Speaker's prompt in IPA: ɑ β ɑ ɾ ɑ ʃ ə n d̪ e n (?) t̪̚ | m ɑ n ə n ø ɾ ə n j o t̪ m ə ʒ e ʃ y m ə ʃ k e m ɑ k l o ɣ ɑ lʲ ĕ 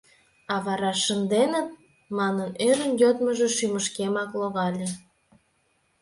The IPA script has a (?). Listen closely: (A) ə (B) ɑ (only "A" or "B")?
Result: A